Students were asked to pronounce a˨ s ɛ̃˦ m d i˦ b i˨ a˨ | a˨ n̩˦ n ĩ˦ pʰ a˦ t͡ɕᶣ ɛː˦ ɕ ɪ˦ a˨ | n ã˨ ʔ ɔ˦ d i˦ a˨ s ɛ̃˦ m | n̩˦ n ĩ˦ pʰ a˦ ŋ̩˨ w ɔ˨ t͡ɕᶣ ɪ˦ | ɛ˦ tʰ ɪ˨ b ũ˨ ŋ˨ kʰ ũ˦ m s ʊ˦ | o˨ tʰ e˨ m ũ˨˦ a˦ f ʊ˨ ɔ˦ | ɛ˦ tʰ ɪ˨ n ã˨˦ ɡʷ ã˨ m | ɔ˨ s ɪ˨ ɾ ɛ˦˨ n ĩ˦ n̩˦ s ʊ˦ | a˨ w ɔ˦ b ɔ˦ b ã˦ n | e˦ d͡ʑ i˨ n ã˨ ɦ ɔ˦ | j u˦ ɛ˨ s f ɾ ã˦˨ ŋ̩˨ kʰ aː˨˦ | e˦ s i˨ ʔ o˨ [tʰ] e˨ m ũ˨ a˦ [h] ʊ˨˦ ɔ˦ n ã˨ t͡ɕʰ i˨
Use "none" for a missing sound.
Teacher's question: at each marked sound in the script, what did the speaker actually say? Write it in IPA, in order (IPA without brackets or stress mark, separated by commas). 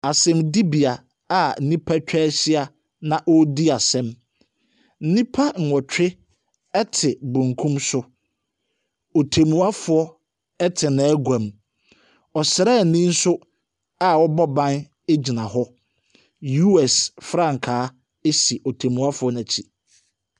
tʰ, f